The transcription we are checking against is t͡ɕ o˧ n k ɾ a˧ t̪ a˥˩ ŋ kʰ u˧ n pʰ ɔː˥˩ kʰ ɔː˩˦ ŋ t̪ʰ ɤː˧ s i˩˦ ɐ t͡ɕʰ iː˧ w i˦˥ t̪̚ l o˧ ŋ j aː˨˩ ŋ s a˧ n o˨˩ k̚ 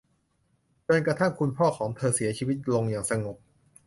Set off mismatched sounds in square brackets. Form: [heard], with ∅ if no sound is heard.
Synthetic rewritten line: t͡ɕ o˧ n k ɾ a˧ [t̪ʰ] a˥˩ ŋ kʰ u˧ n pʰ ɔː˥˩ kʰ ɔː˩˦ ŋ t̪ʰ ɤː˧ s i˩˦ ɐ t͡ɕʰ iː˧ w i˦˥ t̪̚ l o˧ ŋ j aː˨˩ ŋ s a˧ [ŋ] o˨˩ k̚